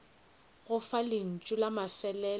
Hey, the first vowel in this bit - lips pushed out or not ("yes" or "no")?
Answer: yes